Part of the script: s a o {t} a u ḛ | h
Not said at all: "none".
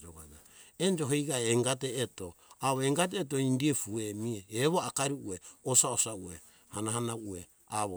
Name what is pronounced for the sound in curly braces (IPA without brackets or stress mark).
s